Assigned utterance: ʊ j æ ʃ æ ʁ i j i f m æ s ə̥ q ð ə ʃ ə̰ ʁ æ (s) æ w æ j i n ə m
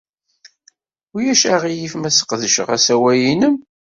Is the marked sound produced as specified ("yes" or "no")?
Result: yes